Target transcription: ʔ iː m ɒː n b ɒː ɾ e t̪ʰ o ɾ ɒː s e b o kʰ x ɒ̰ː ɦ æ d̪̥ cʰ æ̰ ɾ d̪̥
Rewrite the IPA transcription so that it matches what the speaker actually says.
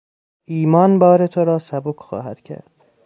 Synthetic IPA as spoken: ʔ iː m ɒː n b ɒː ɾ e t̪ʰ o ɾ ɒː s æ b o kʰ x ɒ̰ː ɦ æ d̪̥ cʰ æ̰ ɾ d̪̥